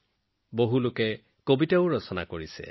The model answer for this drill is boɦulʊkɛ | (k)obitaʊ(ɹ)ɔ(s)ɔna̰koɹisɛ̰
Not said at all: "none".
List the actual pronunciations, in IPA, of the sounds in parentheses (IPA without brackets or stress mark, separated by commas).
k, ɹ, s